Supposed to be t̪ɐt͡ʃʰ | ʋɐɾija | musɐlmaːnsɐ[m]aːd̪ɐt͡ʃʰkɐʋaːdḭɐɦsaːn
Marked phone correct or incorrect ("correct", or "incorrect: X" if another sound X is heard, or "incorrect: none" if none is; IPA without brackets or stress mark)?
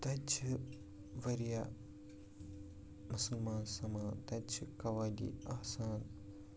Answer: correct